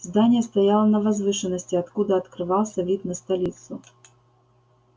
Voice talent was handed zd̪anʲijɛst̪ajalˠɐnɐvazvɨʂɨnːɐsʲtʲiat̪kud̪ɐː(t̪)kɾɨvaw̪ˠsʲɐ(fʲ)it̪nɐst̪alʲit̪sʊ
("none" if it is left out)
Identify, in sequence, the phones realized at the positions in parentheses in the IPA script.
t̪, vʲ

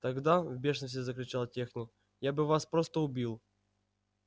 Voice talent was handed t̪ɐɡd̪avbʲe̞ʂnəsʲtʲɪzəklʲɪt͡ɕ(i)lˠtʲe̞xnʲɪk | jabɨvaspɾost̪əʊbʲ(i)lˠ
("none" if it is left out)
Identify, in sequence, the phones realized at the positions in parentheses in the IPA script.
a, i

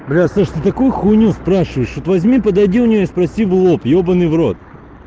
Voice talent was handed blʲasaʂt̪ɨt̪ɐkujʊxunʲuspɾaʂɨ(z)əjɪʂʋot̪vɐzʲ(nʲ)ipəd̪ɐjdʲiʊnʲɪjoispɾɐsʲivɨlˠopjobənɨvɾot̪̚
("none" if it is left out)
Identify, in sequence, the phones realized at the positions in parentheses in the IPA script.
v, mʲ

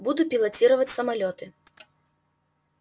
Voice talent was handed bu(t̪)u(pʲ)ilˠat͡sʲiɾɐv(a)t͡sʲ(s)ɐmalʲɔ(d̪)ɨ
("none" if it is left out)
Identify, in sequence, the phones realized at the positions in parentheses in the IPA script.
d̪, pʲ, ɐ, s, t̪

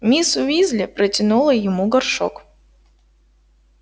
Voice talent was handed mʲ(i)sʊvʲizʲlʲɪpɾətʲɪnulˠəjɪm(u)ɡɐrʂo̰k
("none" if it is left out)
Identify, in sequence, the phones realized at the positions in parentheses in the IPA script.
i, u

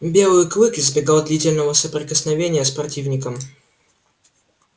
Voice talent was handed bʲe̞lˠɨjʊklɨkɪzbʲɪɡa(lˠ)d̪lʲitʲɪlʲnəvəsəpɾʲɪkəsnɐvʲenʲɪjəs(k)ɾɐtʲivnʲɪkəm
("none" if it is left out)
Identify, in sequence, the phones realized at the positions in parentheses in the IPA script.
lˠ, p

